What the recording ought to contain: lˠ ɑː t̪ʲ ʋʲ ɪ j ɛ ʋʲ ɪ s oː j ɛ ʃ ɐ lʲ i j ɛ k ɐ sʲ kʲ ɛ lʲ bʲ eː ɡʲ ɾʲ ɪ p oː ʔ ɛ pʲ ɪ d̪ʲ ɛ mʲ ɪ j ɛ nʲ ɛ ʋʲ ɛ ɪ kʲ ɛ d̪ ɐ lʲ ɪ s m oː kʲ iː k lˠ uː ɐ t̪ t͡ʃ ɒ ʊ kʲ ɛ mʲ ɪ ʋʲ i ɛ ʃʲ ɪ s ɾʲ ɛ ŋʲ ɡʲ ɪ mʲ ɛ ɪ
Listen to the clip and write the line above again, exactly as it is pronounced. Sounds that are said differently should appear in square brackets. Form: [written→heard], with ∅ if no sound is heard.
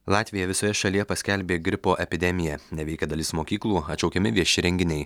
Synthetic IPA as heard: lˠ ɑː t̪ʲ ʋʲ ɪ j ɛ ʋʲ ɪ s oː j ɛ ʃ ɐ lʲ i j ɛ [k→p] ɐ sʲ kʲ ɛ lʲ bʲ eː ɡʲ ɾʲ ɪ p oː ʔ ɛ pʲ ɪ d̪ʲ ɛ mʲ ɪ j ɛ nʲ ɛ ʋʲ ɛ ɪ kʲ ɛ d̪ ɐ lʲ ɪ s m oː kʲ iː k lˠ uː ɐ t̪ t͡ʃ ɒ ʊ kʲ ɛ mʲ ɪ ʋʲ i ɛ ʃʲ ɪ [s→∅] ɾʲ ɛ ŋʲ ɡʲ ɪ [mʲ→nʲ] ɛ ɪ